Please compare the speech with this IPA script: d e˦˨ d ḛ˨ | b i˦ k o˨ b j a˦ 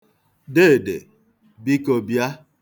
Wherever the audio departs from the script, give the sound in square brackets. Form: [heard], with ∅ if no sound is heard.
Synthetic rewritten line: d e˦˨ d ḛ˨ | b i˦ k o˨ b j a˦